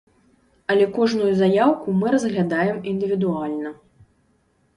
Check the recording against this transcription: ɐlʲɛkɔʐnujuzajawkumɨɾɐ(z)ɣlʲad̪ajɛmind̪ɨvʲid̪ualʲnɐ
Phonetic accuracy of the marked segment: correct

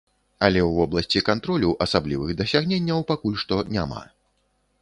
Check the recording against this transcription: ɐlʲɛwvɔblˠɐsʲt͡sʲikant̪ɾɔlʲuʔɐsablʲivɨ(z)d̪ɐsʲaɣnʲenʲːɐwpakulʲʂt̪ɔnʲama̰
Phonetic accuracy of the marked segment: incorrect: ɣ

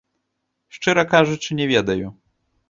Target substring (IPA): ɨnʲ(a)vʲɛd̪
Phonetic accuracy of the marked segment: incorrect: ɛ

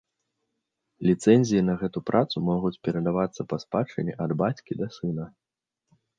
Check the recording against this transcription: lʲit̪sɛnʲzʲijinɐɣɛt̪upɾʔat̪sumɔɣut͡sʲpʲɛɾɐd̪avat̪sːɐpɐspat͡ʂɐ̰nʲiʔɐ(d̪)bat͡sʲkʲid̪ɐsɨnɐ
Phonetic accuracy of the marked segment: correct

